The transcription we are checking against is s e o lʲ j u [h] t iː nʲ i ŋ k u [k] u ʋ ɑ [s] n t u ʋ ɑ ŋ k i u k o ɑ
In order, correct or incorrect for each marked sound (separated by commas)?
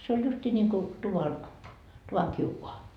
incorrect, incorrect, incorrect